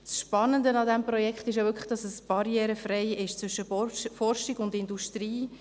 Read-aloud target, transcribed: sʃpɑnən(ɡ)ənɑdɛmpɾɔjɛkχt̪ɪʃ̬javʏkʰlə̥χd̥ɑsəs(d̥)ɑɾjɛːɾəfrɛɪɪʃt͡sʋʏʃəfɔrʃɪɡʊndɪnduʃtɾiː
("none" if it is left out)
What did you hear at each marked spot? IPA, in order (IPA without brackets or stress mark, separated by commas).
d, b̥